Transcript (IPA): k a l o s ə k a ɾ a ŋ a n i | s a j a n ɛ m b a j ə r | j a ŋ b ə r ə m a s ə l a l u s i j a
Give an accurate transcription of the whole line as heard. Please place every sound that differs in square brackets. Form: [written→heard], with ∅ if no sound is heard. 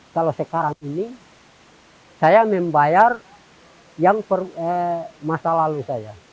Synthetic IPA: k a l o s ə k a ɾ a ŋ [a→i] n i | s a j a [n→m] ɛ m b a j [ə→a] r | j a ŋ [b→p] ə r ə m a s [ə→a] l a l u s [i→a] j a